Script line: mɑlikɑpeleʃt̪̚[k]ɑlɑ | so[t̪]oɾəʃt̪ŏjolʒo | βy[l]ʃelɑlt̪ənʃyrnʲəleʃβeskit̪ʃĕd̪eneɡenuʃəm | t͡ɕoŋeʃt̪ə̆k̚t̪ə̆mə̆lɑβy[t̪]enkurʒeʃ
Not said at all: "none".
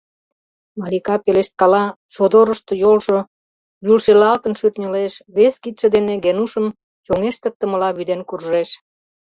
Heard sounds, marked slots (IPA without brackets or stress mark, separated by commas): k, d̪, l, d̪